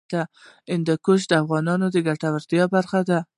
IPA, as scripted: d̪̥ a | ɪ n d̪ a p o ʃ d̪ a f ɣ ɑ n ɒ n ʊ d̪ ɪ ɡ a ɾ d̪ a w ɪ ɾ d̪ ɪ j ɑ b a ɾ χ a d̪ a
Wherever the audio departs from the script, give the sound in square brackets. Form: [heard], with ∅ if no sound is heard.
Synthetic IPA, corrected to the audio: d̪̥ a | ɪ n d̪ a [k] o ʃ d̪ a f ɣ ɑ n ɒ n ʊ d̪ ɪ ɡ a ɾ [t̪] a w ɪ ɾ d̪ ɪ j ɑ b a ɾ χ a d̪ a